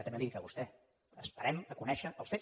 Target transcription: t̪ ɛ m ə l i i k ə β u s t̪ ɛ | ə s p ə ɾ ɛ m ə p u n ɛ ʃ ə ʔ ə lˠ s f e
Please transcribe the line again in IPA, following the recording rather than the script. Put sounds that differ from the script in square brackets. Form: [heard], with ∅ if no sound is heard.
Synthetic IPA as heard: t̪ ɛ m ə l i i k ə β u s t̪ ɛ | ə s p ə ɾ ɛ m ə [k] u n ɛ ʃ ə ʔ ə lˠ s f e